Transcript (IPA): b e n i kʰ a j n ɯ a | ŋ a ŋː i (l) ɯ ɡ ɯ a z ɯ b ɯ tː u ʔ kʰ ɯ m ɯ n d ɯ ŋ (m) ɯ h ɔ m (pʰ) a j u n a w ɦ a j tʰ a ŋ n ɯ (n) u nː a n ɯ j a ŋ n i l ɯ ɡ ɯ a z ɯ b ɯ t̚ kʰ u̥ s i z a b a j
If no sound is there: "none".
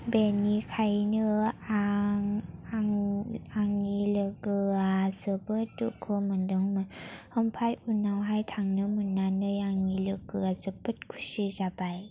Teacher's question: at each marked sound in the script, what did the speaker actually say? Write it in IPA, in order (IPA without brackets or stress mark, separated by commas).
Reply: l, m, pʰ, m